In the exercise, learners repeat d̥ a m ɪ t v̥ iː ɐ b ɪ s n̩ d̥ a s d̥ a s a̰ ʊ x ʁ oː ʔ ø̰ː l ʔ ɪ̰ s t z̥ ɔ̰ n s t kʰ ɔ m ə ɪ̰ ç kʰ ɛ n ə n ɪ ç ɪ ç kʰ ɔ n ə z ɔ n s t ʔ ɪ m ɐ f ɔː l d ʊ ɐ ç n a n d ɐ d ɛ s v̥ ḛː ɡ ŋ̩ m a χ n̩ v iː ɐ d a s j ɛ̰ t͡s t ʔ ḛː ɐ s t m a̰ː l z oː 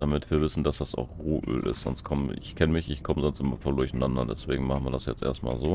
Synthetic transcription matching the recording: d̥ a m ɪ t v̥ iː ɐ v ɪ s n̩ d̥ a s d̥ a s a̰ ʊ x ʁ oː ʔ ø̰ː l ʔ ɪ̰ s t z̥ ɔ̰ n s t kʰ ɔ m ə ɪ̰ ç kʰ ɛ n ə m ɪ ç ɪ ç kʰ ɔ m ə z ɔ n s t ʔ ɪ m ɐ f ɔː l d ʊ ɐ ç n a n d ɐ d ɛ s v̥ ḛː ɡ ŋ̩ m a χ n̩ v iː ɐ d a s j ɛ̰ t͡s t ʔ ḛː ɐ s t m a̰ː l z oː